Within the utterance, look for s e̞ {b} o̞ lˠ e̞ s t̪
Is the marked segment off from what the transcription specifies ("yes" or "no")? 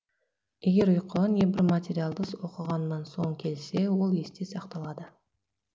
yes